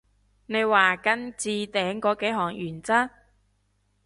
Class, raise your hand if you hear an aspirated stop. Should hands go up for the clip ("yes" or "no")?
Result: no